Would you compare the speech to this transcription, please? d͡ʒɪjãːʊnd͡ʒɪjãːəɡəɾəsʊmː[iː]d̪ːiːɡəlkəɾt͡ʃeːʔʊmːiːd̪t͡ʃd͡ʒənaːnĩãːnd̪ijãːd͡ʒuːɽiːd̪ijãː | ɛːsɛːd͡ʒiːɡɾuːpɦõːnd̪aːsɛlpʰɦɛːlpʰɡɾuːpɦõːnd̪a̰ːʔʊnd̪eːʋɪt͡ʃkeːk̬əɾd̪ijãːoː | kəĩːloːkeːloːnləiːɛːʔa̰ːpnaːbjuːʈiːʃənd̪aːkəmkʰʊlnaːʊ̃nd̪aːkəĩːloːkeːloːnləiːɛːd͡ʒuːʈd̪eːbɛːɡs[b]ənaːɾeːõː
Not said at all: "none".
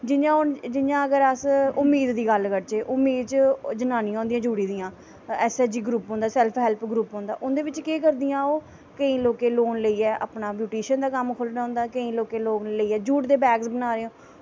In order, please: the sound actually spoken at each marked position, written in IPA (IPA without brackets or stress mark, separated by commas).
iː, b